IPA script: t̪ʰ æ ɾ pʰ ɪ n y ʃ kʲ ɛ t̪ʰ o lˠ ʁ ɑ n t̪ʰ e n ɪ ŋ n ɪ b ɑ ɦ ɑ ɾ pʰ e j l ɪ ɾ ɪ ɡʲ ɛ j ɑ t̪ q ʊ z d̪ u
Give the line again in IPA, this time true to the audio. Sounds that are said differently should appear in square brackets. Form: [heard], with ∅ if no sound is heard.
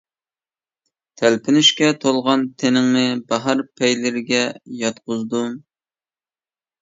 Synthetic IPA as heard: t̪ʰ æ [l] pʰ ɪ n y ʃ kʲ ɛ t̪ʰ o lˠ ʁ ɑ n t̪ʰ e n ɪ ŋ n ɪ b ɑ ɦ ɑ ɾ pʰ [ɛ] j l ɪ ɾ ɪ ɡʲ ɛ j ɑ t̪ q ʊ z d̪ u